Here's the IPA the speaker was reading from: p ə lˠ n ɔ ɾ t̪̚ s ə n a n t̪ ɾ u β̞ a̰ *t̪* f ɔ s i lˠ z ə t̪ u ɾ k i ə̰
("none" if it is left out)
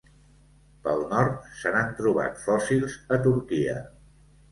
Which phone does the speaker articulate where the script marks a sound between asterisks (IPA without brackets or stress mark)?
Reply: t̪